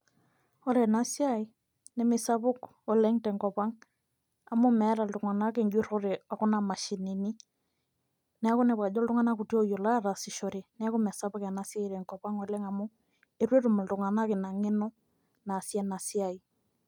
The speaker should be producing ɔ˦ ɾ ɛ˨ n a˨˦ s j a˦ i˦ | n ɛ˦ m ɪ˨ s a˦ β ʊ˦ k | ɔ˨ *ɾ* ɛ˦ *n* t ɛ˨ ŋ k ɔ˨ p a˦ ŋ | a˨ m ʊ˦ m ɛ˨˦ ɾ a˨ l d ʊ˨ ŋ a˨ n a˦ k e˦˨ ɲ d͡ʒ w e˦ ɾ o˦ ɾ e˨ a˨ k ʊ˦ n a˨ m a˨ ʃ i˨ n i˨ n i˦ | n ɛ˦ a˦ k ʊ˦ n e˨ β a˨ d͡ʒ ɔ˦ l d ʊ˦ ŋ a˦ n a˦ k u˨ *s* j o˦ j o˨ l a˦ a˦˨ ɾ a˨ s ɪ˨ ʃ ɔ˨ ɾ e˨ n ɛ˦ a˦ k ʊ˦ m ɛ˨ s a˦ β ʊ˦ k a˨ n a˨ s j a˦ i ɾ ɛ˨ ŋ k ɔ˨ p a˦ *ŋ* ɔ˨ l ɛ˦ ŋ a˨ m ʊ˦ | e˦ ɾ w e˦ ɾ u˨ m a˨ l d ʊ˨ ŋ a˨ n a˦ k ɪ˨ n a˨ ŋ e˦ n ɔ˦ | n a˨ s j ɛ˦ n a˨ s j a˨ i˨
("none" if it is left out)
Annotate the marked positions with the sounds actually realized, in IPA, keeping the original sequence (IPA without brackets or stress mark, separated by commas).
l, ŋ, t, ŋ